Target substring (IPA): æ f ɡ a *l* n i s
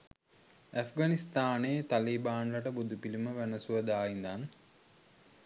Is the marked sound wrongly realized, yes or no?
yes